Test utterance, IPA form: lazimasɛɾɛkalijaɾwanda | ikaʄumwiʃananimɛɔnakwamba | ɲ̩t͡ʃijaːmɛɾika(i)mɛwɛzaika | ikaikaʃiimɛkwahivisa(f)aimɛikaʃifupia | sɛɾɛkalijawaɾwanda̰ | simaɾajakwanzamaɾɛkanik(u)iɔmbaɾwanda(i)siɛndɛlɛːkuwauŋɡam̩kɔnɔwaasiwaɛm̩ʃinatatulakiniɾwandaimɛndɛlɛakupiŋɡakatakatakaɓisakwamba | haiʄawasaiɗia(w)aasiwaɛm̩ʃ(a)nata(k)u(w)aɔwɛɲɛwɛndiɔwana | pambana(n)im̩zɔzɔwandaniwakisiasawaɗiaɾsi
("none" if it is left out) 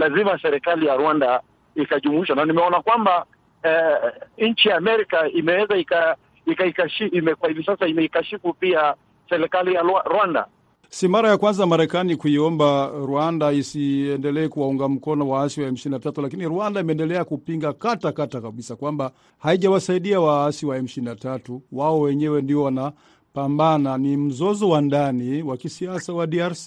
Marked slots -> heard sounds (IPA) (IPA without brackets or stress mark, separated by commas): i, s, u, i, w, i, t, w, n